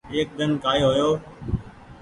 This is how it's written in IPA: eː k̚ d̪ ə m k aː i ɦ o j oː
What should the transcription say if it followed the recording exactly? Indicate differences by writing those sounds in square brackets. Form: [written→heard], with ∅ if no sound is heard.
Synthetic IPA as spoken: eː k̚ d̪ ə [m→n] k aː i ɦ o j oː